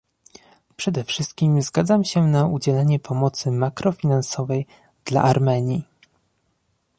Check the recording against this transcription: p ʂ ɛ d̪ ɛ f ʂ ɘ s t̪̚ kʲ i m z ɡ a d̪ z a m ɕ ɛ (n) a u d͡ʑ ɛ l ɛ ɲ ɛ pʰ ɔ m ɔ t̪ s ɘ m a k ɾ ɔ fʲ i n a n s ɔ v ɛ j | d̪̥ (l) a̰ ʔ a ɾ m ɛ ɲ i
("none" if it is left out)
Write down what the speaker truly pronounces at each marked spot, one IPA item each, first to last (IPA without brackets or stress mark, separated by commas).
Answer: n, l